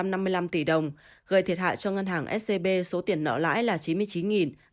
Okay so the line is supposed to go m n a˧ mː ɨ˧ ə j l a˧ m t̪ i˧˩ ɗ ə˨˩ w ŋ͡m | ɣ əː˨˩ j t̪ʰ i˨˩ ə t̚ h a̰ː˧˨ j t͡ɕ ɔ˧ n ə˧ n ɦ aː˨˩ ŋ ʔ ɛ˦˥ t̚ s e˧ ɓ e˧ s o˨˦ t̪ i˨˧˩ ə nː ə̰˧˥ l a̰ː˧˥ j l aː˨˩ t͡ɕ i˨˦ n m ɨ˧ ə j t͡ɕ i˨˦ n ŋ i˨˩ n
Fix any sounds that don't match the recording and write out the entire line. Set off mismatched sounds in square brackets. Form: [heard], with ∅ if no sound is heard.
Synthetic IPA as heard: m n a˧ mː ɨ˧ ə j l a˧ m t̪ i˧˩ ɗ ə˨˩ w ŋ͡m | ɣ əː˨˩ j t̪ʰ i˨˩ ə t̚ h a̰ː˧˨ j t͡ɕ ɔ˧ [ŋ] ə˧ n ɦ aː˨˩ ŋ ʔ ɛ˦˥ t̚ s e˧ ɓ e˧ s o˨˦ t̪ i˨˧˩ ə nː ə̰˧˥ l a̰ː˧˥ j l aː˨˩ t͡ɕ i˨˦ n m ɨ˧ ə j t͡ɕ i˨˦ n ŋ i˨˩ n